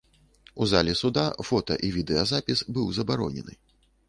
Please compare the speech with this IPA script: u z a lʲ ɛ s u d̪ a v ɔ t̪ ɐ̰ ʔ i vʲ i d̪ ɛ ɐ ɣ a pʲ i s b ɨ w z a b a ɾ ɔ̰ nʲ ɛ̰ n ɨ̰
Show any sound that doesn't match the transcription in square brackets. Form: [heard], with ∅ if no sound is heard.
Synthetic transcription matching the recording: u z a lʲ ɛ s u d̪ a [f] ɔ t̪ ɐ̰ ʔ i vʲ i d̪ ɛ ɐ [z] a pʲ i s b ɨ w z [ɐ] b a ɾ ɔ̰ nʲ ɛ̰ n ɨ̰